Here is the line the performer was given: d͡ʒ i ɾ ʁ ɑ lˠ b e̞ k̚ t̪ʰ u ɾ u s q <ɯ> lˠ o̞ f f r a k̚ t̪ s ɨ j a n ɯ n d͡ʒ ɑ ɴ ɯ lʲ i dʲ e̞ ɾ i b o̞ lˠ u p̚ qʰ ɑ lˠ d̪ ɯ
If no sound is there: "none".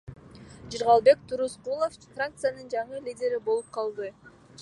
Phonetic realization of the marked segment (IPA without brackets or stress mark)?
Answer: u